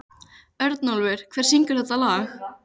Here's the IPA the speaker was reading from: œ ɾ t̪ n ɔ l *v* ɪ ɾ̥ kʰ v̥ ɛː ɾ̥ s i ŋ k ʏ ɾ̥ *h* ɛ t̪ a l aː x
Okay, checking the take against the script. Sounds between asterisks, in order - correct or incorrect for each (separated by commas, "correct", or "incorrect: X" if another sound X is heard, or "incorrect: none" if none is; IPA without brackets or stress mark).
correct, incorrect: θ